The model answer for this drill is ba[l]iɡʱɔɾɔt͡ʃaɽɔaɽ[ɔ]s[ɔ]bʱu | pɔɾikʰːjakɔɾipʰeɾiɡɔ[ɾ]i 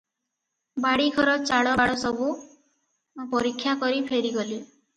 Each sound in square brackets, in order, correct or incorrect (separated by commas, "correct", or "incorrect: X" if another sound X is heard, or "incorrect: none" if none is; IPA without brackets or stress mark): incorrect: ɽ, correct, correct, incorrect: l